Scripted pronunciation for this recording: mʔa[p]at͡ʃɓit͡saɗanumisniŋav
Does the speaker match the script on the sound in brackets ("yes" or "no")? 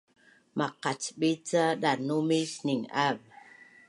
no